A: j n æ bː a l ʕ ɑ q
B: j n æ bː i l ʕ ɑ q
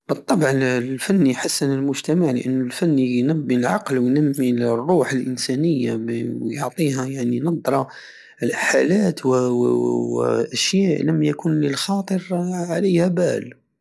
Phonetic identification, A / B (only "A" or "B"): B